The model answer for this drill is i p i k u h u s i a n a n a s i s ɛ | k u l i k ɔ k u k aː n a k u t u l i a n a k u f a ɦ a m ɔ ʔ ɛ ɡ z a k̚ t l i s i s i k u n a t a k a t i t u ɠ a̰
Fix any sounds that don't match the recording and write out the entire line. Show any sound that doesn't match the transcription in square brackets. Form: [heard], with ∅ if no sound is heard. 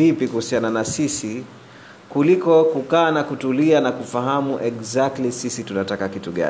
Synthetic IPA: i p i k u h u s i a n a n a s i s [i] | k u l i k ɔ k u k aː n a k u t u l i a n a k u f a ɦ a m [u] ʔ ɛ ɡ z a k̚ t l i s i s i [t] u n a t a k a [k] i t u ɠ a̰